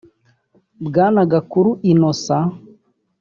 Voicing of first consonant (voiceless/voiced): voiced